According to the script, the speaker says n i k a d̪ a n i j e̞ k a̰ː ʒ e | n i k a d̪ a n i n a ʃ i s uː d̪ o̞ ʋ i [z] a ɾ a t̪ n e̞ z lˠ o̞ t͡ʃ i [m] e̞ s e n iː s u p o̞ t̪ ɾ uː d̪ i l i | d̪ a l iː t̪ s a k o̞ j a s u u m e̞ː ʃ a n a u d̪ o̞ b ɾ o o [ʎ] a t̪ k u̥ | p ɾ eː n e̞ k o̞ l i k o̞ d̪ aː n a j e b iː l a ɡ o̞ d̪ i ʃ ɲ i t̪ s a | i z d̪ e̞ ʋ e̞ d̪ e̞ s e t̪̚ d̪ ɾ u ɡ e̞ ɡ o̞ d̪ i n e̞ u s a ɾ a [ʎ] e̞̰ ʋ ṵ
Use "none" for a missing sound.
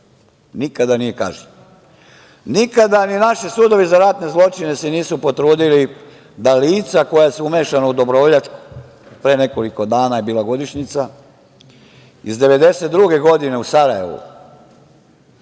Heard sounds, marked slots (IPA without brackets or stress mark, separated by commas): z, n, ʎ, j